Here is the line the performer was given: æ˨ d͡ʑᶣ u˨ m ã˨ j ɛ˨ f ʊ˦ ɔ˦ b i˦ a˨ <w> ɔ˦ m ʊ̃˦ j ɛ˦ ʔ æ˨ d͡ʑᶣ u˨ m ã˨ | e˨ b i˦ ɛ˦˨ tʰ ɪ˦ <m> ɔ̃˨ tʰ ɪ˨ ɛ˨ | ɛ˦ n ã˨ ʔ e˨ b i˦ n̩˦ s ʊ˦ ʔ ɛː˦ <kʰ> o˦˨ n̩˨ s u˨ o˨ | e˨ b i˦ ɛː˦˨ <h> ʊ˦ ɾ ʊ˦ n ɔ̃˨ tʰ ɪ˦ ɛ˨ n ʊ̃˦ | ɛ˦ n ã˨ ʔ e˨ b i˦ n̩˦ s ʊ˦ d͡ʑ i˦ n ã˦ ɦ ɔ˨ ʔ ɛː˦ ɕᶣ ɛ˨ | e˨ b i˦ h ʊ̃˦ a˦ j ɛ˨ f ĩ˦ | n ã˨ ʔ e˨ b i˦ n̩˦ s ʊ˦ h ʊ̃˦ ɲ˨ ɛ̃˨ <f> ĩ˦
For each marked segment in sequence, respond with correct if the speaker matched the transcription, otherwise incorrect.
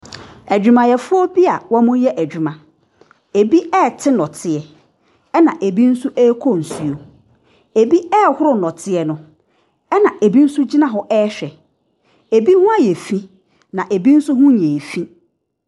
correct, incorrect: n, correct, correct, correct

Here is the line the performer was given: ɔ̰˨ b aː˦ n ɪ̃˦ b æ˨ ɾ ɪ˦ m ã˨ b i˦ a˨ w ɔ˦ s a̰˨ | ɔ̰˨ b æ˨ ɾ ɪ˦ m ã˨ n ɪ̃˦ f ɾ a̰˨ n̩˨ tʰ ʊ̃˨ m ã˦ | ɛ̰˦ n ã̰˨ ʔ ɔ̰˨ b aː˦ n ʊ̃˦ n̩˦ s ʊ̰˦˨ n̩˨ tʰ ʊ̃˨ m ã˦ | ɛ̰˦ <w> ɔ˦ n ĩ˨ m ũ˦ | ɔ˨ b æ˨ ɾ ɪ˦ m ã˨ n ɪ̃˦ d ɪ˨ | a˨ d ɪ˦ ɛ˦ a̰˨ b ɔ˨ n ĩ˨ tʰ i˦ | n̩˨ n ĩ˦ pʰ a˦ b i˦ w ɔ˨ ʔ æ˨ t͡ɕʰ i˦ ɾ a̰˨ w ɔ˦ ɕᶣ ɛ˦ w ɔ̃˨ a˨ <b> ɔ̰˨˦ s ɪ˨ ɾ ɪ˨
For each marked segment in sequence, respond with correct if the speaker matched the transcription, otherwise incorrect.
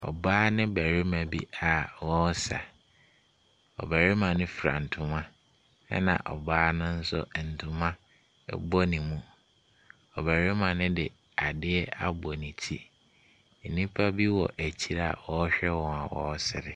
incorrect: b, incorrect: w

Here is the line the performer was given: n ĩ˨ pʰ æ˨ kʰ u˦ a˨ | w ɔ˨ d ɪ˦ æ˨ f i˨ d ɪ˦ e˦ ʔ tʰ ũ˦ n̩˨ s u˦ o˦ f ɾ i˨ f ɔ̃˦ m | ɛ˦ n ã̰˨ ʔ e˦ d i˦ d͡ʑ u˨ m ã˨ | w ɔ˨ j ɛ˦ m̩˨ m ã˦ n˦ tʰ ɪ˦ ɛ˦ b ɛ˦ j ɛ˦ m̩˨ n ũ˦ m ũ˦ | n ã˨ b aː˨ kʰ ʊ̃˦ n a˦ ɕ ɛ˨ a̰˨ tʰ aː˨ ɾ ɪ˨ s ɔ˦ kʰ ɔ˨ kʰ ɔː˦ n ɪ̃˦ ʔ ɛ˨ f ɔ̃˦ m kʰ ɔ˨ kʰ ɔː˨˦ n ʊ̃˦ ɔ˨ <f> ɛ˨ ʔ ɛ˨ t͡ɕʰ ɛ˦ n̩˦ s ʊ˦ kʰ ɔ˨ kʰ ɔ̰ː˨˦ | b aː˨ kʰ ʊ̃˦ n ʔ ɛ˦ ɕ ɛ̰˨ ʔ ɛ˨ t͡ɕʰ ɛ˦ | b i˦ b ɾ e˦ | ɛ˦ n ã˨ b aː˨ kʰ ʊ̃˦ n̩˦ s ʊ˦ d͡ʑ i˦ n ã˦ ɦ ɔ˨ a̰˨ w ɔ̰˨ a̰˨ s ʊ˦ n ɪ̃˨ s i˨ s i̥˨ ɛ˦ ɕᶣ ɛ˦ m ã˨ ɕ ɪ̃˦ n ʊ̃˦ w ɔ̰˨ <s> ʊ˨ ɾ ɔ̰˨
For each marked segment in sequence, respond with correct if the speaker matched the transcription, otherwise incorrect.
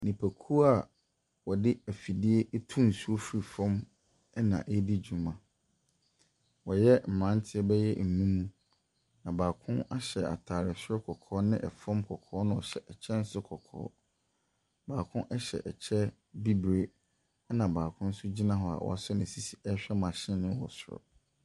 incorrect: ɕ, correct

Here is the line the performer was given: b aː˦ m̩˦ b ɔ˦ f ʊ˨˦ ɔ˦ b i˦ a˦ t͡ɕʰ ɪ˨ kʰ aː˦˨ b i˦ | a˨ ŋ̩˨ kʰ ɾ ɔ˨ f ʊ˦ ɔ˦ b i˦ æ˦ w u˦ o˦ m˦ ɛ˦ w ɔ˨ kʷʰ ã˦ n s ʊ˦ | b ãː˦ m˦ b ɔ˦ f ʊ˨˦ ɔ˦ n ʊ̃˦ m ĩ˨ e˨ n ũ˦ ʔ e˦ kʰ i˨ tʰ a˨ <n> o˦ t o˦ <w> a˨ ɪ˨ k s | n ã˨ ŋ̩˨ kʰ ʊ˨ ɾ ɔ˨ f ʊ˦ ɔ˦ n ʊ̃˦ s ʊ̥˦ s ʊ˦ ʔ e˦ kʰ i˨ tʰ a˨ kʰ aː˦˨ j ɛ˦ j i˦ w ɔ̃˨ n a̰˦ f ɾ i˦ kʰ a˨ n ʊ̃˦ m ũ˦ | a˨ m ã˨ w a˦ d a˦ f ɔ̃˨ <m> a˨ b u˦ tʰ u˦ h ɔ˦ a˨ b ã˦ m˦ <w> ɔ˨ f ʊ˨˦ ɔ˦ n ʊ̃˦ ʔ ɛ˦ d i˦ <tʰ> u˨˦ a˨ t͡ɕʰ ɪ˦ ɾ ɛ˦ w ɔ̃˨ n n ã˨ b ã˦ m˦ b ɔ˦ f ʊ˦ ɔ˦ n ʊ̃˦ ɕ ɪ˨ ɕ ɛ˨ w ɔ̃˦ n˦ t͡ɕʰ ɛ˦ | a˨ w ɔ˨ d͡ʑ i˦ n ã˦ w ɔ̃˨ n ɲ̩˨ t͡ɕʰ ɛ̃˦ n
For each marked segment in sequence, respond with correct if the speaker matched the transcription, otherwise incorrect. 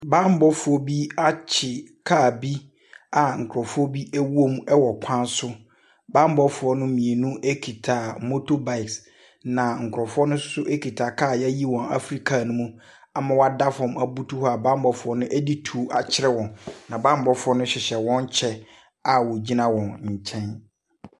incorrect: m, incorrect: b, correct, incorrect: b, correct

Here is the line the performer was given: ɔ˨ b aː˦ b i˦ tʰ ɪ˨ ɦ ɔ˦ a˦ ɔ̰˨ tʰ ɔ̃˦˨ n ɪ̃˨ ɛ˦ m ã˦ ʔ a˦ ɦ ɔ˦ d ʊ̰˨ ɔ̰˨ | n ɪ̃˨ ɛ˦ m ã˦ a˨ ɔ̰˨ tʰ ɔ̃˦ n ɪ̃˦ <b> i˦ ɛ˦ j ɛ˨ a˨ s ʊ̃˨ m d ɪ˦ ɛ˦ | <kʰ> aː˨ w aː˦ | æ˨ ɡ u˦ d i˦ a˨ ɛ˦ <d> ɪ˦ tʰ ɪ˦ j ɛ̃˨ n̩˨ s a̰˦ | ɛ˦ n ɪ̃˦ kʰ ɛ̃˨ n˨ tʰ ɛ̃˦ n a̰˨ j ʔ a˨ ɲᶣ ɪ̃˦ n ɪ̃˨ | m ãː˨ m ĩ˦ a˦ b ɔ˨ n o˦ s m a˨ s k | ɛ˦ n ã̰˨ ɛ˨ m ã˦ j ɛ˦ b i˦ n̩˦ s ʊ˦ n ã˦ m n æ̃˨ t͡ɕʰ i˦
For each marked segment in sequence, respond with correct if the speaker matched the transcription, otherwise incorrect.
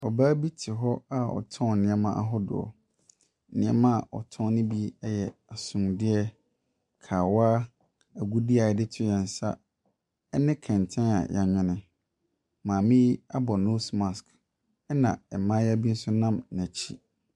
correct, correct, correct

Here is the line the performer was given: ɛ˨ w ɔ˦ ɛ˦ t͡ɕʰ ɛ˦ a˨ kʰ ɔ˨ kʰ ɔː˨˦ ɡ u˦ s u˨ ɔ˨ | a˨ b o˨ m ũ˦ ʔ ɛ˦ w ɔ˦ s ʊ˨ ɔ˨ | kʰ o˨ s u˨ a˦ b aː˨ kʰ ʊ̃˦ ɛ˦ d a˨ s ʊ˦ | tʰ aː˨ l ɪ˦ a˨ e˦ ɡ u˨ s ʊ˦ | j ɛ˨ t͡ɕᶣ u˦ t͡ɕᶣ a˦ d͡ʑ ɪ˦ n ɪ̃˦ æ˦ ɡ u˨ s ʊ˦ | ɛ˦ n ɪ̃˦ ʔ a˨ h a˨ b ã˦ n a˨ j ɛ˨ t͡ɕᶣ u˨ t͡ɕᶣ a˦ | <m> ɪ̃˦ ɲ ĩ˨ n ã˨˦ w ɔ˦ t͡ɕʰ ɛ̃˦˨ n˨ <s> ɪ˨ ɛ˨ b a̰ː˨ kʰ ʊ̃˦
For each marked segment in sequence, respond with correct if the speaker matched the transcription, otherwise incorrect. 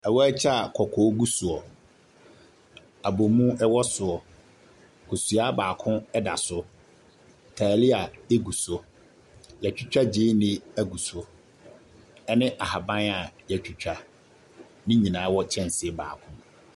incorrect: n, correct

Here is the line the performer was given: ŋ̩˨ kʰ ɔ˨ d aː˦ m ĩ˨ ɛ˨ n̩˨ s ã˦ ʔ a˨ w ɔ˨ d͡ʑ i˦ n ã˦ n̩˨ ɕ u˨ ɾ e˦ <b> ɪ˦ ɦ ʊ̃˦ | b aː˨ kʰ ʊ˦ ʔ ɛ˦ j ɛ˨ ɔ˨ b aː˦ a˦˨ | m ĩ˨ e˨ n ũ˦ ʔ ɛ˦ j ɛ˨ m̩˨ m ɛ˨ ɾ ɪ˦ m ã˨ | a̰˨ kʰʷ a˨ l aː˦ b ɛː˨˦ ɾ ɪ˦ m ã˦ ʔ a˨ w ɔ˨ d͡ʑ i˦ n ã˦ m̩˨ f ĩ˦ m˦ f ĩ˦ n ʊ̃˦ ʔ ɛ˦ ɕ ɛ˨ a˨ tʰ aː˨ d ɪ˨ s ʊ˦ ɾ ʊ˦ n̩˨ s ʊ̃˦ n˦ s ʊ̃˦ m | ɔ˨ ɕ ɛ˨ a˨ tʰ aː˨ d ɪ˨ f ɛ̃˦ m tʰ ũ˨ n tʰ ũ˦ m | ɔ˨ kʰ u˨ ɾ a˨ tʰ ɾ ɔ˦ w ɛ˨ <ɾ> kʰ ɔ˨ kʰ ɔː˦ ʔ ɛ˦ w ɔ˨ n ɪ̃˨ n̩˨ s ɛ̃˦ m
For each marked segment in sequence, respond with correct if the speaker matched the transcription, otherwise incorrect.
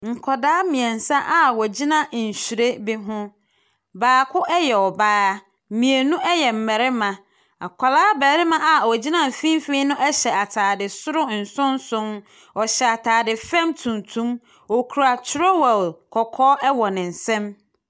correct, incorrect: l

